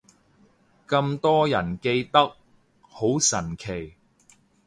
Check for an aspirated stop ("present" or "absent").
present